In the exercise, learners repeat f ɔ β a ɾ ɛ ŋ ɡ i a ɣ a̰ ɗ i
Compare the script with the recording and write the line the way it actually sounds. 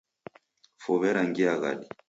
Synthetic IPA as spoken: f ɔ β ɛ ɾ a ŋ ɡ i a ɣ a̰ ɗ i